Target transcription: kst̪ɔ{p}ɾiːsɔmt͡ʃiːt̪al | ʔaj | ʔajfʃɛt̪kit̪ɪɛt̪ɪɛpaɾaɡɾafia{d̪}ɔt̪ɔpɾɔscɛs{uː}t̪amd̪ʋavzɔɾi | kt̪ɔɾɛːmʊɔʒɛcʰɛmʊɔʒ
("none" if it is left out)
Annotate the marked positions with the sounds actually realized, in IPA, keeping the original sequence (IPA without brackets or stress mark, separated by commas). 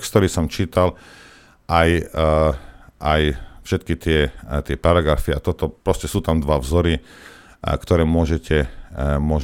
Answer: none, t̪, uː